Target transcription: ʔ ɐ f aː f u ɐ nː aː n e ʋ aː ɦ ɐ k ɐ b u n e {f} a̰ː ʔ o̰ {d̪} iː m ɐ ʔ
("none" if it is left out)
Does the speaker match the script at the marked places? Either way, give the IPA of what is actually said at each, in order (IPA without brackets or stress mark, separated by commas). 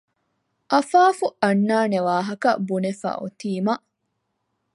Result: f, t̪